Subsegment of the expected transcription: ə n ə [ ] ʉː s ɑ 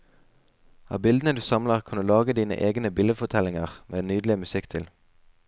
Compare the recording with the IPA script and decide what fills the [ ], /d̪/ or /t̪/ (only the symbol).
d̪